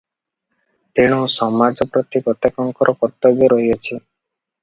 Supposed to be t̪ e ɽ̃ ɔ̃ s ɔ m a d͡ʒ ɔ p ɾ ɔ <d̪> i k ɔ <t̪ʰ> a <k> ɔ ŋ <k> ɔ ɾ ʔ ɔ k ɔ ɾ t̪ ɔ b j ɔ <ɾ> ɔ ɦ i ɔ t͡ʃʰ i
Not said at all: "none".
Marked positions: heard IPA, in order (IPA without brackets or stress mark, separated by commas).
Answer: t̪, t̪, k, k, ɾ